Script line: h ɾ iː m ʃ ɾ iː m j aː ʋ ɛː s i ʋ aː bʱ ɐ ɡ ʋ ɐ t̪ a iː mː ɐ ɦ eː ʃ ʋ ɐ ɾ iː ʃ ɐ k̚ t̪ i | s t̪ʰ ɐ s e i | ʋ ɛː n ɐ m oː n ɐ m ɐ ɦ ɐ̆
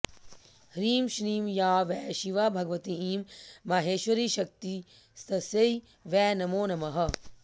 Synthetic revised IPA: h ɾ iː m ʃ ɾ iː m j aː ʋ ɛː ʃ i ʋ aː bʱ ɐ ɡ ʋ ɐ t̪ i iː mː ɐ ɦ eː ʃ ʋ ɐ ɾ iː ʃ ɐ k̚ t̪ i | s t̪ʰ ɐ s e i | ʋ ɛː n ɐ m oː n ɐ m ɐ ɦ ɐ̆